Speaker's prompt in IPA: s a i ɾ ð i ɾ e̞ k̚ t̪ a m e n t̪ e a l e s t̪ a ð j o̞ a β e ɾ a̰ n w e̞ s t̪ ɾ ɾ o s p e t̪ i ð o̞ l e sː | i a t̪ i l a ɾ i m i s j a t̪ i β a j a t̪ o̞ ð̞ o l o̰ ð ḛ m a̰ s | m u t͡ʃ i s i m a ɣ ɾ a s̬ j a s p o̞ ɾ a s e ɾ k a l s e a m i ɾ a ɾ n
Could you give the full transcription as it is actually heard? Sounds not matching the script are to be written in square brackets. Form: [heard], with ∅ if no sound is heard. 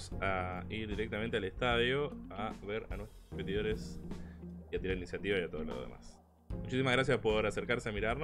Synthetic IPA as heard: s a i ɾ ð i ɾ e̞ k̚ t̪ a m e n t̪ e a l e s t̪ a ð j o̞ a β e ɾ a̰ n w e̞ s t̪ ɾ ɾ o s p e t̪ i ð o̞ [ɾ] e [s] | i a t̪ i [ɾ] a ɾ i [n] i s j a t̪ i β a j a t̪ o̞ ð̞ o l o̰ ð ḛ m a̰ s | m u t͡ʃ i s i m a ɣ ɾ a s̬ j a s p o̞ ɾ a s e ɾ k a [ɾ] s e a m i ɾ a ɾ n